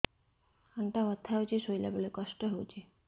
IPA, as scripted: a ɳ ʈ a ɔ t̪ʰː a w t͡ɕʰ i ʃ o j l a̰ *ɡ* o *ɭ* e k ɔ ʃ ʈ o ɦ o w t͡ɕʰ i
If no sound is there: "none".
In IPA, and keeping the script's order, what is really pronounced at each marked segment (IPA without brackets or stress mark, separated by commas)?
b, l